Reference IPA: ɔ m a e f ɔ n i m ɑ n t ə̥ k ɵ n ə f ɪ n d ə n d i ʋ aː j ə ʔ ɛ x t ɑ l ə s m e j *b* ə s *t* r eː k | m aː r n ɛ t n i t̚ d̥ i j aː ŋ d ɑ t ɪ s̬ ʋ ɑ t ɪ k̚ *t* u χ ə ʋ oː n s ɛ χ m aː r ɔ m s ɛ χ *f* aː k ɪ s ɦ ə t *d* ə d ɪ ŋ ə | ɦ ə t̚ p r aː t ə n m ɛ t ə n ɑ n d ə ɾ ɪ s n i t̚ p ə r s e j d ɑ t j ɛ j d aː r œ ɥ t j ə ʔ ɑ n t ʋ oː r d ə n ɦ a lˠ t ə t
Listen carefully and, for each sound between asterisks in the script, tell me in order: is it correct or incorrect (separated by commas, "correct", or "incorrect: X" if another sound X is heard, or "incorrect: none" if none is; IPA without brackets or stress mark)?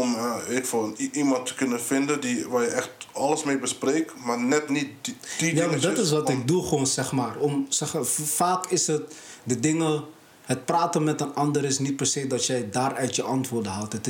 correct, incorrect: p, incorrect: d, correct, correct